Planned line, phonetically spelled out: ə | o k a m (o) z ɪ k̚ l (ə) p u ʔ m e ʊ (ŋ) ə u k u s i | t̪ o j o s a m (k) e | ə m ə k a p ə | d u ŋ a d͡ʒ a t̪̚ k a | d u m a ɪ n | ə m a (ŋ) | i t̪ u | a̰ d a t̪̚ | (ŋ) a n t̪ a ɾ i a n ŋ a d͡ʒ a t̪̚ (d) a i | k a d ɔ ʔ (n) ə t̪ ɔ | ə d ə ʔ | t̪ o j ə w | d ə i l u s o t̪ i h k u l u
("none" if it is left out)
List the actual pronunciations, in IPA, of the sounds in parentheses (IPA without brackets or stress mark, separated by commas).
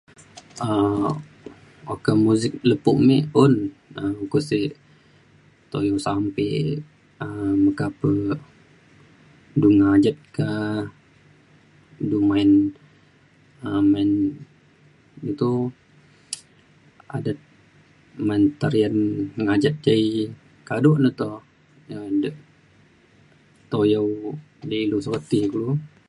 u, ə, n, p, n, m, d͡ʒ, n